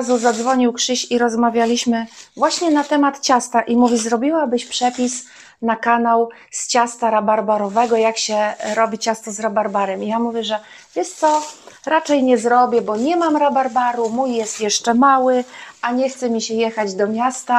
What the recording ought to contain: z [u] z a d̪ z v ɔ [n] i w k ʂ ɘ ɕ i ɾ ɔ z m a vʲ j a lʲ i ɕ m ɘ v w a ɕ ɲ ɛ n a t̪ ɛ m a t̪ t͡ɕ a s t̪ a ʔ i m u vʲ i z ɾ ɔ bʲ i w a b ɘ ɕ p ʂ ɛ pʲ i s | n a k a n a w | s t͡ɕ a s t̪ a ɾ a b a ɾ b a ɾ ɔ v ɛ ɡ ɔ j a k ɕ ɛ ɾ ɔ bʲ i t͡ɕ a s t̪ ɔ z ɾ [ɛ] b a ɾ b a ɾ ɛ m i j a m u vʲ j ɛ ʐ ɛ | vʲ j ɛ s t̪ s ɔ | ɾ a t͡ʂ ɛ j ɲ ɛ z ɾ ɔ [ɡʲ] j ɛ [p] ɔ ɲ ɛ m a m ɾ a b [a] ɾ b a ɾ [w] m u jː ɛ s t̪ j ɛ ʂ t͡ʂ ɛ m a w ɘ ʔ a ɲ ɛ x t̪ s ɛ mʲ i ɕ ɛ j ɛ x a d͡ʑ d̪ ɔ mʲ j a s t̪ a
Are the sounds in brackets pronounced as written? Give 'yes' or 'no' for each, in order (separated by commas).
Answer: yes, no, no, no, no, yes, no